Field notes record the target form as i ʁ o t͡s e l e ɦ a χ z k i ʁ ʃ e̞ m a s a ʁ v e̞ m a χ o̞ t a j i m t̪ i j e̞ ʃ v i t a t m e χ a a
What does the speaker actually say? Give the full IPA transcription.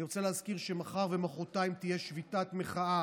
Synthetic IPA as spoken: i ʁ o t͡s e l e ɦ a z k i ʁ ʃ e̞ m a χ a ʁ v e̞ m a χ o̞ t a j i m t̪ i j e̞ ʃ v i t a t m e χ a a